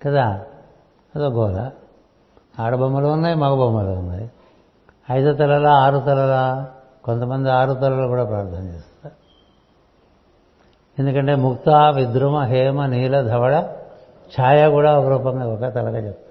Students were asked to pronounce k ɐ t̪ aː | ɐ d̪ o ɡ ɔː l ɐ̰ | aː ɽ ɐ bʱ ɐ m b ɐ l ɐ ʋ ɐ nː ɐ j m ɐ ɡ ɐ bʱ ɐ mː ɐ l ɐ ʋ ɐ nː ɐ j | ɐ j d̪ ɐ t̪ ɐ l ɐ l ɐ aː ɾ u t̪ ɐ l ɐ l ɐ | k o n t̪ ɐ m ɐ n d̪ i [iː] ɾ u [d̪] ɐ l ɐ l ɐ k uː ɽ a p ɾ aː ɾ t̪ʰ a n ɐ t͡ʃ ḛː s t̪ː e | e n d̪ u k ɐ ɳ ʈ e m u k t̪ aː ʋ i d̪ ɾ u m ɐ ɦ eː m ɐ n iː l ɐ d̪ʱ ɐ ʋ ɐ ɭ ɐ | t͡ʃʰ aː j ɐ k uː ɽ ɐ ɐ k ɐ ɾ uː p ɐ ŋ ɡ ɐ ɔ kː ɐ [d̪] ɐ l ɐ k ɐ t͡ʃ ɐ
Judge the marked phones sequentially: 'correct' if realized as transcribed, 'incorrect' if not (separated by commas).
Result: incorrect, incorrect, incorrect